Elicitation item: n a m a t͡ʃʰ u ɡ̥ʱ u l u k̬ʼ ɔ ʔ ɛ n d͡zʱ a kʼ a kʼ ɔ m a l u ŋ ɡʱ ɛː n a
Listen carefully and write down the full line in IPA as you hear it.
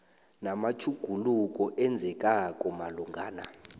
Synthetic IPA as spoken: n a m a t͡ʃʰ u ɡ̥ʱ u l u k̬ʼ ɔ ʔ ɛ n d͡zʱ ɛ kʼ a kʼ ɔ m a l u ŋ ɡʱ aː n a